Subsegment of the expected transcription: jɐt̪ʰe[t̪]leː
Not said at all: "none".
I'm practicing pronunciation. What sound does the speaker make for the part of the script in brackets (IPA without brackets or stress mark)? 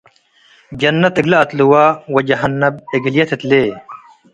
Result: t̪